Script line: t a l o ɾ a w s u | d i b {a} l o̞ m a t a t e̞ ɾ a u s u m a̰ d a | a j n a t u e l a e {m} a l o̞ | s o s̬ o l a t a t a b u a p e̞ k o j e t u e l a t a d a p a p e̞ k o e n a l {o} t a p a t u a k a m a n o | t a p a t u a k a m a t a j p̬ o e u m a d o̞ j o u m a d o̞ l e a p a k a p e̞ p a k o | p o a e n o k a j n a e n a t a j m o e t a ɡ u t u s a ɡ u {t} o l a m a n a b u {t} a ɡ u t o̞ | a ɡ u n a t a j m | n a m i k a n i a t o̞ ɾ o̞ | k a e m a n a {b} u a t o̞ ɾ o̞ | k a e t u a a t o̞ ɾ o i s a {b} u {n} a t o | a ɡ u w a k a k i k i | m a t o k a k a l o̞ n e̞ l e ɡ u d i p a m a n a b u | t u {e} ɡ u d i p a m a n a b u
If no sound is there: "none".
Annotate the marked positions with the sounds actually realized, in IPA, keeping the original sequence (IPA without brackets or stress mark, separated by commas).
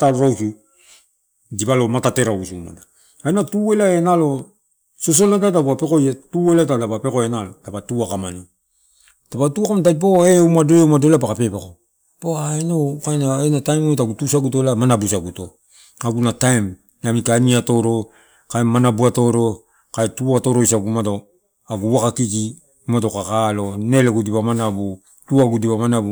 a, n, o, t, s, b, ɡ, m, a